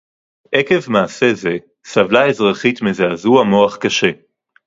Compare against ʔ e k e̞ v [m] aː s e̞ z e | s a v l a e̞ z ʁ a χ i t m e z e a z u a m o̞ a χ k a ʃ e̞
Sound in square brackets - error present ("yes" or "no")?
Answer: no